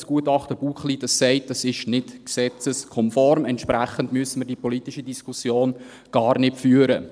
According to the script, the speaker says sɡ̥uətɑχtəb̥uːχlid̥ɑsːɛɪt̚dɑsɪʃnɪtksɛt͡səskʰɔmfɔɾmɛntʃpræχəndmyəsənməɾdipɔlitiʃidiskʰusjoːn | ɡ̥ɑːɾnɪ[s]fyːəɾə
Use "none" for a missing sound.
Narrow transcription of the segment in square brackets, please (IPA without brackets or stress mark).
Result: t